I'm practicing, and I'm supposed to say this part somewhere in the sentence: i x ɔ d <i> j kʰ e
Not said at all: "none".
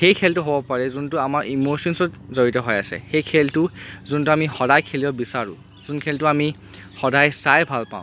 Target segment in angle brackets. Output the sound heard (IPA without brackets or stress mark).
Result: a